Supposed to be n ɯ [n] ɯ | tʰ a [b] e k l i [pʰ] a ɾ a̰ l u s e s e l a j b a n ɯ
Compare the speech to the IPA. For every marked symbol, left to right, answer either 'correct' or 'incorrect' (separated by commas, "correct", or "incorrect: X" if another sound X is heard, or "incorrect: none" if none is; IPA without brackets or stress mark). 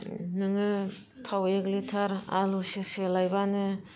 incorrect: ŋ, incorrect: w, incorrect: tʰ